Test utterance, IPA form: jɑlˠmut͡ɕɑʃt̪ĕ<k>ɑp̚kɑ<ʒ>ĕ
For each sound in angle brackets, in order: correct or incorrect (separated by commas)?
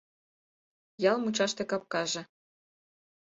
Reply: correct, correct